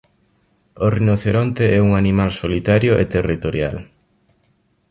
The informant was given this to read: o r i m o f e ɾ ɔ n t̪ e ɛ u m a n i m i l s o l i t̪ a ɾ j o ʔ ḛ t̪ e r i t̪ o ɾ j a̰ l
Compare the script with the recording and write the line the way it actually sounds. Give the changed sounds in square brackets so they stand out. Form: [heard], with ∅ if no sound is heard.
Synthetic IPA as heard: o r i [n] o [θ] e ɾ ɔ n t̪ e ɛ u [ŋ] a n i m [a] l s o l i t̪ a ɾ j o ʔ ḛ t̪ e r i t̪ o ɾ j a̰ l

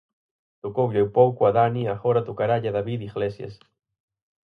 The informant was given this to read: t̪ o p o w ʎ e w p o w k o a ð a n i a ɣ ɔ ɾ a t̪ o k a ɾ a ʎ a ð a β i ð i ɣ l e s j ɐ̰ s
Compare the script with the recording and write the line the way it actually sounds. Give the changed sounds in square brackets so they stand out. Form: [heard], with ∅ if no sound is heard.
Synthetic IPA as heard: t̪ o [k] o w ʎ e w p o w k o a ð a n i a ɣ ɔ ɾ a t̪ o k a ɾ a ʎ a ð a β i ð i ɣ l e s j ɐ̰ s

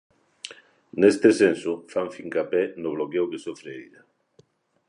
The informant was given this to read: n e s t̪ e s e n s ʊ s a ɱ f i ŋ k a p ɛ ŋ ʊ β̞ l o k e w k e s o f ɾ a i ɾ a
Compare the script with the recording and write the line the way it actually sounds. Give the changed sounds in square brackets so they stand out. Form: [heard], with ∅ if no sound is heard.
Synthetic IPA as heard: n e s t̪ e s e n s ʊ [f] a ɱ f i ŋ k a p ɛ [n] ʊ β̞ l o k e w k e s o f ɾ [e] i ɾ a

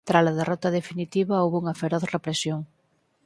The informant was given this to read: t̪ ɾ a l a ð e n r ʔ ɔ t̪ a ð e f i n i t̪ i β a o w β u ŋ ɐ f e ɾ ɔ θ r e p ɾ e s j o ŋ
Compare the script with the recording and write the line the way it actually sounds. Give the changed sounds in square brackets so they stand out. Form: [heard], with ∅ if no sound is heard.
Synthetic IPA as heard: t̪ ɾ a l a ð e [∅] r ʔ ɔ t̪ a ð e f i n i t̪ i β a o w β u ŋ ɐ f e ɾ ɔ θ r e p ɾ e s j o ŋ

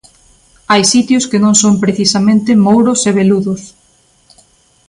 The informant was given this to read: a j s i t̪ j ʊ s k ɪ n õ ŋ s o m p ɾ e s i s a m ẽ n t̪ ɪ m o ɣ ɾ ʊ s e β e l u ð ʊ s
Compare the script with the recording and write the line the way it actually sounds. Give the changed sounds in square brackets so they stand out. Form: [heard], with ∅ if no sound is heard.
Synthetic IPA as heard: a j s i t̪ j ʊ s k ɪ n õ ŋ s o m p ɾ e [θ] i s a m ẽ n t̪ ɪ m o [w] ɾ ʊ s e β e l u ð ʊ s

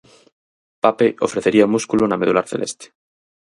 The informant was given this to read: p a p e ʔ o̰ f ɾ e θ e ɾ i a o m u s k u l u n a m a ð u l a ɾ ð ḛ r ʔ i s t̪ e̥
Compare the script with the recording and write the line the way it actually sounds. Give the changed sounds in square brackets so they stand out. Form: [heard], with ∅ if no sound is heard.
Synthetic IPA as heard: p a p e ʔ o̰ f ɾ e θ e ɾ i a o m u s k u l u n a m [e] ð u l a ɾ [θ] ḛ [l] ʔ [e] s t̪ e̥

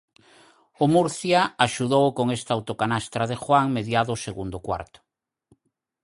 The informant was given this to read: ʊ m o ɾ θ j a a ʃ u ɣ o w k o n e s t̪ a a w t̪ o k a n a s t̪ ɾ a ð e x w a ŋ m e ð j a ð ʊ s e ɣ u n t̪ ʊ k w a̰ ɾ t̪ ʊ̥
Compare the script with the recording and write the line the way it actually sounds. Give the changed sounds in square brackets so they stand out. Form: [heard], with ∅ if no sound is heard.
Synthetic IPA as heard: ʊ m [u] ɾ θ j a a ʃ u [ð] o w k o [ŋ] e s t̪ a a w t̪ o k a n a s t̪ ɾ a ð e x w a ŋ m e ð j a ð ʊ s e ɣ u n [d̪] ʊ k w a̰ ɾ t̪ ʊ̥

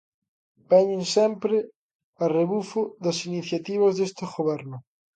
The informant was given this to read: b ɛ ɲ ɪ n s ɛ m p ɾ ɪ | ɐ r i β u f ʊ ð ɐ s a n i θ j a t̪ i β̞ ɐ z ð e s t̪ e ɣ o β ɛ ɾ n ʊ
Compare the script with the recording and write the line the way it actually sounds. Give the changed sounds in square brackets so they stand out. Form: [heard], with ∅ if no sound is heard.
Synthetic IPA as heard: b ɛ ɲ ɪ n s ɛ m p ɾ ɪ | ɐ r [e] β u f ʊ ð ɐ s [i] n i θ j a t̪ i β̞ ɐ z ð e s t̪ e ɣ o β ɛ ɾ n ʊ

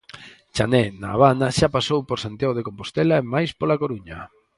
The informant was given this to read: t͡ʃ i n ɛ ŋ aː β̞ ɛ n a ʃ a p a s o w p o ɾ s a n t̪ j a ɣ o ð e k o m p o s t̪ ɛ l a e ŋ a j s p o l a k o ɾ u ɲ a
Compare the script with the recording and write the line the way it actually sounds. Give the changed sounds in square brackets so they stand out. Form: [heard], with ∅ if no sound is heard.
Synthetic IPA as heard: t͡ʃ [a] n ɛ [n] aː β̞ [a] n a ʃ a p a s o w p o ɾ s a n t̪ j a ɣ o ð e k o m p o s t̪ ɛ l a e [m] a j s p o l a k o ɾ u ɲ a

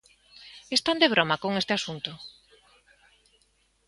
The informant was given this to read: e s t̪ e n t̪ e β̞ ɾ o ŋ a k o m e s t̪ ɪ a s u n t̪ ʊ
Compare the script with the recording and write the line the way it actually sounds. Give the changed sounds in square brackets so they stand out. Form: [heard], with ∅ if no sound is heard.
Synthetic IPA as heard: e s t̪ [a] n [d̪] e β̞ ɾ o [m] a k o [ŋ] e s t̪ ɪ a s u n t̪ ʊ

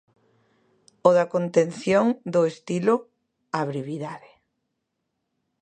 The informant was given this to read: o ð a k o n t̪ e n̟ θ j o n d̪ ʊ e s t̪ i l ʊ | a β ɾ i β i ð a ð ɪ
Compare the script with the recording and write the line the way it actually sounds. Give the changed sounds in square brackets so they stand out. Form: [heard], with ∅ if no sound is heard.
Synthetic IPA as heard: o ð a k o n t̪ e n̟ θ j o [ŋ] d̪ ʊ e s t̪ i l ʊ | a β ɾ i β i ð a ð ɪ

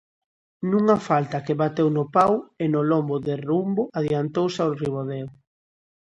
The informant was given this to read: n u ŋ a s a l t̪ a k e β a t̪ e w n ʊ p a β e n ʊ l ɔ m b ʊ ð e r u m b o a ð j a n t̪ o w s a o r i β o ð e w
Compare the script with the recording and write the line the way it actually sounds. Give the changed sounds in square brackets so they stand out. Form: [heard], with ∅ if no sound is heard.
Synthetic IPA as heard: n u ŋ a [f] a l t̪ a k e β a t̪ e w n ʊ p a [w] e n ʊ l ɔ m b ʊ ð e r u m b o a ð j a n t̪ o w s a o r i β o ð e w

